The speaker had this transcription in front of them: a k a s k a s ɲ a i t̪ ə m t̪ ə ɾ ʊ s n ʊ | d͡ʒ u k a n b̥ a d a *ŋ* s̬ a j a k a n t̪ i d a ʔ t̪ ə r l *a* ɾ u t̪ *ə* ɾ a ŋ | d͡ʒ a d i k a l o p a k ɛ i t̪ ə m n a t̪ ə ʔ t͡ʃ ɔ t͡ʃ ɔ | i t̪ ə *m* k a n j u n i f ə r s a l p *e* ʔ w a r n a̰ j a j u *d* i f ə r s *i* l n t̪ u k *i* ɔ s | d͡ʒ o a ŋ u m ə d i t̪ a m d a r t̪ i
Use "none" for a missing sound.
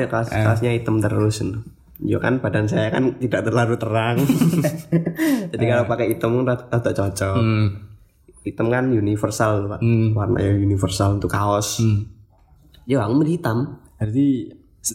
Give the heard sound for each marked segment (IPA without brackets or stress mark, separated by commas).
n, a, ə, m, a, n, a, a